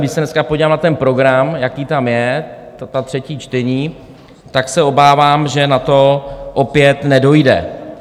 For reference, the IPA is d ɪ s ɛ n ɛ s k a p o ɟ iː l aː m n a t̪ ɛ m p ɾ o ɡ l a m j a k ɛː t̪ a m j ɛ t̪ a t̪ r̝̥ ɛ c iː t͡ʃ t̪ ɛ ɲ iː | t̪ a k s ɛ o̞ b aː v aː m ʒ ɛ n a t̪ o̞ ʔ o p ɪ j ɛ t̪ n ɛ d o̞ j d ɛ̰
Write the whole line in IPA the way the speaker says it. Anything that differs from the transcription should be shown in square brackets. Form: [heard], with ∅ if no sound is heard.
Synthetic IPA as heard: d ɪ s ɛ n ɛ s k a p o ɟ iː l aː m n a t̪ ɛ [n] p ɾ o ɡ [ɾ] a m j a k [iː] t̪ a m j ɛ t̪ a t̪ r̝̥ ɛ c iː t͡ʃ t̪ ɛ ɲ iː | t̪ a k s ɛ o̞ b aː v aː m ʒ ɛ n a t̪ o̞ ʔ o p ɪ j ɛ t̪ n ɛ d o̞ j d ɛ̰